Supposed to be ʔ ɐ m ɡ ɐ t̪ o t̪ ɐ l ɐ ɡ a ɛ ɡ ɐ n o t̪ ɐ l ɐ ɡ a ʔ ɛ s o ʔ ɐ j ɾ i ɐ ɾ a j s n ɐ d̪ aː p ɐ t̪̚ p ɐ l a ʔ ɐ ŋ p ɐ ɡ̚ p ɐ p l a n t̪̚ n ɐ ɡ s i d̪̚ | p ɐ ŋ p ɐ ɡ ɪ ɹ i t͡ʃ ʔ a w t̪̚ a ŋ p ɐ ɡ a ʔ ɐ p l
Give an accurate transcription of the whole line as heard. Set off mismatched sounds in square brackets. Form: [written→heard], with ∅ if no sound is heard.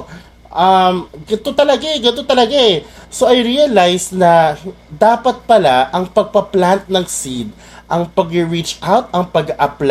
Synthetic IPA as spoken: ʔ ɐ m ɡ ɐ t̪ o t̪ ɐ l ɐ ɡ a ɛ ɡ ɐ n o t̪ ɐ l ɐ ɡ a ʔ ɛ s o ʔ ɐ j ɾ i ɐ [ɾ→l] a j s n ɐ d̪ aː p ɐ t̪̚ p ɐ l a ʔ ɐ ŋ p ɐ ɡ̚ p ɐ p l a n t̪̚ n ɐ [ɡ→ŋ] s i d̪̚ | [p→ʔ] ɐ ŋ p ɐ ɡ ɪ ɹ i t͡ʃ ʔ a w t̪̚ [a→ɐ] ŋ p ɐ ɡ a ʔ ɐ p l